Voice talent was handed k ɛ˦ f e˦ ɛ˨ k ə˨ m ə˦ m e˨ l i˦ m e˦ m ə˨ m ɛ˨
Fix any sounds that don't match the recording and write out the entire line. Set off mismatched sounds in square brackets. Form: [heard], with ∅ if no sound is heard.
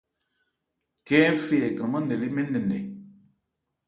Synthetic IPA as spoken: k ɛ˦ f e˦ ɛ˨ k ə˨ m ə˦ [n] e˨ l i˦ m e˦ [n] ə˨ [n] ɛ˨